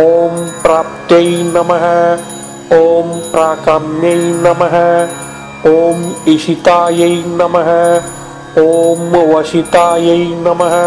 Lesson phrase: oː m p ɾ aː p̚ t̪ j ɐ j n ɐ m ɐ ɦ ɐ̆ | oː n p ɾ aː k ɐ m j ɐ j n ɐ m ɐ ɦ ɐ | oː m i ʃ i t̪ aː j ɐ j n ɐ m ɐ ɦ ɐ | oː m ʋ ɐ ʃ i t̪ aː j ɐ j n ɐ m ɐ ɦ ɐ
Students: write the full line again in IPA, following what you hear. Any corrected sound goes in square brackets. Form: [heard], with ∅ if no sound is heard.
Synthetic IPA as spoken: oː m p ɾ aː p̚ t̪ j ɐ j n ɐ m ɐ ɦ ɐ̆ | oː [m] p ɾ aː k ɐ m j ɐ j n ɐ m ɐ ɦ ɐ | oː m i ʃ i t̪ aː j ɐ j n ɐ m ɐ ɦ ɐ | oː m ʋ ɐ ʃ i t̪ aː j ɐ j n ɐ m ɐ ɦ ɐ